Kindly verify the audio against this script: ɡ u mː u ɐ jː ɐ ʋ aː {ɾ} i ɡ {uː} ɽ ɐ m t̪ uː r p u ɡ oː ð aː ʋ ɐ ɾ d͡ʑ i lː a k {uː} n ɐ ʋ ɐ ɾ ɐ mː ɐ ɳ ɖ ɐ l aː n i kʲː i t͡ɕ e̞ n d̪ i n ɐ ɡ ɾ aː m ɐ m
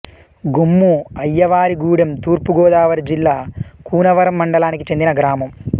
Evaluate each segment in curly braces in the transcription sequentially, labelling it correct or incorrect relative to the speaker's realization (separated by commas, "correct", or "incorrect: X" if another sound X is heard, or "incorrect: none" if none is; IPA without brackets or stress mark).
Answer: correct, correct, correct